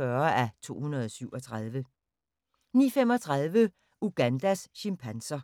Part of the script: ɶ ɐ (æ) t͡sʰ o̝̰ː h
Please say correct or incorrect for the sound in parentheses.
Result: correct